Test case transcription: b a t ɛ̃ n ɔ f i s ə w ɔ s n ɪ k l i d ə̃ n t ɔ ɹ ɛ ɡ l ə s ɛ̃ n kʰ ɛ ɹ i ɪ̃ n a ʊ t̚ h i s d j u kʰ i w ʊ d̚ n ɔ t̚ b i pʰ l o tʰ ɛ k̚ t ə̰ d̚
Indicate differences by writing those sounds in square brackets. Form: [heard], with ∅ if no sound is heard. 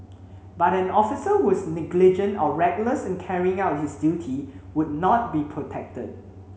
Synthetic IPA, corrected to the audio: b a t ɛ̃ n ɔ f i s ə w ɔ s n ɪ [ɡ] l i [d͡ʒ] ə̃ n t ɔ ɹ ɛ ɡ l ə s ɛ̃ n kʰ ɛ ɹ i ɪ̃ [ŋ] a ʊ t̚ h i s d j u [tʰ] i w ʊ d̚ n ɔ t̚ b i pʰ [ɹ] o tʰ ɛ k̚ t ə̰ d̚

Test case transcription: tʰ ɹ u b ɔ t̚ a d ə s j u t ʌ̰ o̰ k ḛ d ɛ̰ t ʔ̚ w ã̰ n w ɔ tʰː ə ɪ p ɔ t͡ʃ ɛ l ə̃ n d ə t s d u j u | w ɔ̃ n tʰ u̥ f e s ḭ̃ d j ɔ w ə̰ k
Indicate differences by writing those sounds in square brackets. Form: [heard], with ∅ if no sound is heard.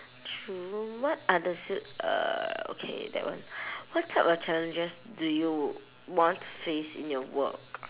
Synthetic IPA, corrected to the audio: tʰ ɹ u [w] ɔ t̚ a d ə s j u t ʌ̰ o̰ [kʰ] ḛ d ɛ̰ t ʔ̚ w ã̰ n w ɔ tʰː [a] ɪ p ɔ t͡ʃ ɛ l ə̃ n [d͡ʒ] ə [∅] s d u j u | w ɔ̃ n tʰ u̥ f e s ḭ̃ [n] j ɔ w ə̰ k

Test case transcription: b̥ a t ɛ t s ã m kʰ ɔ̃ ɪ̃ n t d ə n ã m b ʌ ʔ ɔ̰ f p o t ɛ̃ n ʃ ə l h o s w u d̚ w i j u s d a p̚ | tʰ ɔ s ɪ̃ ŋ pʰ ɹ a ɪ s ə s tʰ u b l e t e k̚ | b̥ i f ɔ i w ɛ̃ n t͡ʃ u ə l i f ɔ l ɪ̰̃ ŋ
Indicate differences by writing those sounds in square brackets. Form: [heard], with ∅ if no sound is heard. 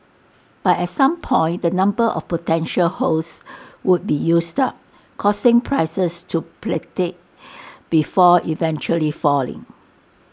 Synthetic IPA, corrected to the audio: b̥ a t ɛ t s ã m [pʰ] ɔ̃ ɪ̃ n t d ə n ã m b [ə] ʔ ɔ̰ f p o t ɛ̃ n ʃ ə l h o s w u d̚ [b] i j u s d a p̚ | [kʰ] ɔ s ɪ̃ ŋ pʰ ɹ a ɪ s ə s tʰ u [p] l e t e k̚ | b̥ i f ɔ i [v] ɛ̃ n t͡ʃ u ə l i f ɔ l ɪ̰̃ ŋ

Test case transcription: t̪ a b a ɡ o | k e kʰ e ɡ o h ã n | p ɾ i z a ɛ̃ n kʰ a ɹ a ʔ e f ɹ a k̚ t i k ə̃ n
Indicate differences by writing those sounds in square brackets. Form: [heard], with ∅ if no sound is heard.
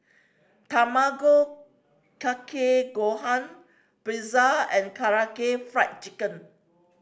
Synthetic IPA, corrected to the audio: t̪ a [m] a ɡ o | k [a] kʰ e ɡ o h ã n | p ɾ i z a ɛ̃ n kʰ a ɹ a [k] e f ɹ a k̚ [t͡ʃ] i k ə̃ n

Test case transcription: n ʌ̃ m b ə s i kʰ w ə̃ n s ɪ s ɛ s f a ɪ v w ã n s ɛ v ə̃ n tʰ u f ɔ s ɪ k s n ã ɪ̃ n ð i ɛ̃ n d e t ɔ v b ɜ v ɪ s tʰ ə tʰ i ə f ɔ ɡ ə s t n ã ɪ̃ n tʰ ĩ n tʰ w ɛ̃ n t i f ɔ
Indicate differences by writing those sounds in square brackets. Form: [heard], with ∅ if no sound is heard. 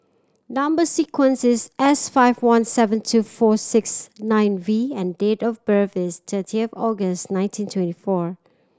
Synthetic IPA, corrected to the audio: n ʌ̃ m b ə s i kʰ w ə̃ n s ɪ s ɛ s f a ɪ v w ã n s ɛ v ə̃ n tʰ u f ɔ s ɪ k s n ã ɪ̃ n [v] i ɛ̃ n d e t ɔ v b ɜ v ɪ s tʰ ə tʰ i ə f ɔ ɡ ə s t n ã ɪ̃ n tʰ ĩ n tʰ w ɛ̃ n t i f ɔ

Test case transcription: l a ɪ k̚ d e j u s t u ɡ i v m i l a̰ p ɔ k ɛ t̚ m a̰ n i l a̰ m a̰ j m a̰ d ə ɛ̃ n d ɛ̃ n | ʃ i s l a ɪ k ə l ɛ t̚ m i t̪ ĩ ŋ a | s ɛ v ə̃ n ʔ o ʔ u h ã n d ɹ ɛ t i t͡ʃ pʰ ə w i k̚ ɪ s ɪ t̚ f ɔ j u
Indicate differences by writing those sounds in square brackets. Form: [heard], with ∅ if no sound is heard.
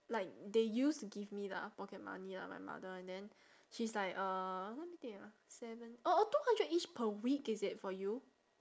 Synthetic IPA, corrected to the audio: l a ɪ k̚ d e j u s t u ɡ i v m i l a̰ p ɔ k ɛ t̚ m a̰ n i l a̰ m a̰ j m a̰ d ə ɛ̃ n d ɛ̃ n | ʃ i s l a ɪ k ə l ɛ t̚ m i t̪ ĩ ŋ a | s ɛ v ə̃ n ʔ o [t] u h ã n d ɹ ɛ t i t͡ʃ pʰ ə w i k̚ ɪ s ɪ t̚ f ɔ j u

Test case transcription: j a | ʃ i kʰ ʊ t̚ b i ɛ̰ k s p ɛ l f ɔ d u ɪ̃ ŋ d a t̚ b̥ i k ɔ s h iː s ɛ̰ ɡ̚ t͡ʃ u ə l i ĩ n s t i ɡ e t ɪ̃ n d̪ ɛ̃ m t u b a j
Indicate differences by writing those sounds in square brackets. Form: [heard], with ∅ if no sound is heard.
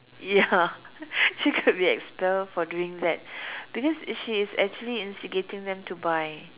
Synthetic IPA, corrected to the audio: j a | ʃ i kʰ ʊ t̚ b i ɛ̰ k s p ɛ l f ɔ d u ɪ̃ ŋ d [ɛ] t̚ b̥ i k ɔ s [ʃ] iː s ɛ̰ [k̚] t͡ʃ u ə l i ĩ n s t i ɡ e t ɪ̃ [ŋ] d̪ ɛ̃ m t u b a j

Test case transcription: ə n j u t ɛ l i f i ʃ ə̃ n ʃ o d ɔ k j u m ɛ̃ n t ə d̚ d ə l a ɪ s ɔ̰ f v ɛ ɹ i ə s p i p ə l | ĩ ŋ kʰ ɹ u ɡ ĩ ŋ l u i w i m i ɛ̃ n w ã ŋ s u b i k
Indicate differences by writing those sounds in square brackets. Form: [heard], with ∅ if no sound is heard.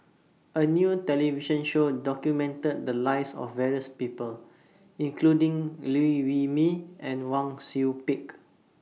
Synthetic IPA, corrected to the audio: ə n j u t ɛ l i [v] i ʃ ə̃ n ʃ o d ɔ k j u m ɛ̃ n t ə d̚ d ə l a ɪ s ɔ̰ f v ɛ ɹ i ə s p i p ə l | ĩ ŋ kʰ [l] u [d] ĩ ŋ l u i w i m i ɛ̃ n w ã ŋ s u [p] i k

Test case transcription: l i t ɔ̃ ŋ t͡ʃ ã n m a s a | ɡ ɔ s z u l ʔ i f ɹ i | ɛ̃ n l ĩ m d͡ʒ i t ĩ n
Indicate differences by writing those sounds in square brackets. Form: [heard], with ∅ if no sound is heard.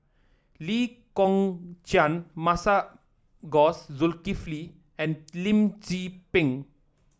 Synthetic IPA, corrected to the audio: l i [k] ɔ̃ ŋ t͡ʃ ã n m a s a | ɡ ɔ s z u l [k] i f [l] i | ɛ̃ n l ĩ m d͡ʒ i [p] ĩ [ŋ]

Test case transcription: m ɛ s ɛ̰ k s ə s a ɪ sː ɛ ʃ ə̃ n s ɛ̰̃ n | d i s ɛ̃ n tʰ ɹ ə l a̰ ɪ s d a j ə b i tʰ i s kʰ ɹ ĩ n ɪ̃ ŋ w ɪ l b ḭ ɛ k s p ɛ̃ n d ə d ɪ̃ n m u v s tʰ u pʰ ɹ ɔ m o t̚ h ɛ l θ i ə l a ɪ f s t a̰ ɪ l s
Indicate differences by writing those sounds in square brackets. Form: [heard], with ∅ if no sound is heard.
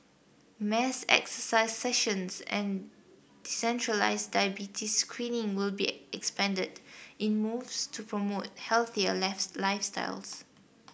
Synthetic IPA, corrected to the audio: m ɛ s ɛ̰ k s ə s a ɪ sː ɛ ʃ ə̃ n s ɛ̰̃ n | d i s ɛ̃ n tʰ ɹ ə l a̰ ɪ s d a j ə b i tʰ i s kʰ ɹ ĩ n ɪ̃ ŋ w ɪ l b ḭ ɛ k s p ɛ̃ n d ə d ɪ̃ n m u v s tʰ u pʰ ɹ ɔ m o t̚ h ɛ l θ i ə l a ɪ f s t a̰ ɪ l s

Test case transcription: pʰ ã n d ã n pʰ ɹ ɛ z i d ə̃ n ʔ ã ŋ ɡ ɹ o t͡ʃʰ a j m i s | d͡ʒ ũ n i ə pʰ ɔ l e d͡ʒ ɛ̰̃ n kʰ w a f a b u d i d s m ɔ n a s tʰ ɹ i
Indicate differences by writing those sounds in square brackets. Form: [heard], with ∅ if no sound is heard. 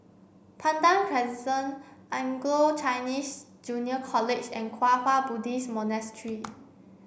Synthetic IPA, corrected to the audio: pʰ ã n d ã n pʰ ɹ ɛ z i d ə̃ n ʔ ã ŋ ɡ [l] o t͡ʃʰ a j [n] i s | d͡ʒ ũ n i ə [kʰ] ɔ l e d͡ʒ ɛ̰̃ n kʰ w a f a b u d i [∅] s m ɔ n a s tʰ ɹ i

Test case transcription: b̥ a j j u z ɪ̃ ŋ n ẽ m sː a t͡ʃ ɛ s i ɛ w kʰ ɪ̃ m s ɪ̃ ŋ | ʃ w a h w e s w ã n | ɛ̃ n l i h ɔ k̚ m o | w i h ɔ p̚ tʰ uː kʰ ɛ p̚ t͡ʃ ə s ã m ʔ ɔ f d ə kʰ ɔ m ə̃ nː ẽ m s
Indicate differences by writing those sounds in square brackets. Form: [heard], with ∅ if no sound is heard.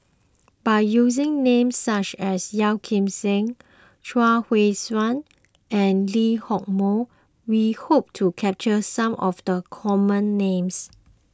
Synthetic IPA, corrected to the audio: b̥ a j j u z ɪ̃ ŋ n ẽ m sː a t͡ʃ ɛ s [j] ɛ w kʰ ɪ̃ m s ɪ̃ ŋ | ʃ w a h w e s w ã n | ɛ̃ n l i h ɔ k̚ m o | w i h [o] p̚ tʰ [u] kʰ ɛ p̚ t͡ʃ ə s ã m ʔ ɔ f d ə kʰ ɔ m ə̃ nː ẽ m s

